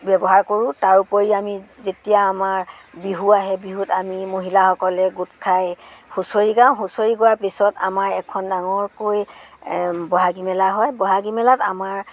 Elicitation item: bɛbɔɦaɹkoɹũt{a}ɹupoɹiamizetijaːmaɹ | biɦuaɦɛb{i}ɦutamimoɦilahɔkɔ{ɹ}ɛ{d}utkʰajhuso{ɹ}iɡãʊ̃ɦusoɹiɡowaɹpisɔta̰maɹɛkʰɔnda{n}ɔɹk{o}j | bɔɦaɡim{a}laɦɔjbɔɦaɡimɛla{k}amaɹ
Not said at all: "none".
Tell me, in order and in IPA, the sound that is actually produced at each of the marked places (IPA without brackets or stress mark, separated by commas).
a, i, l, ɡ, ɹ, ŋ, o, ɛ, t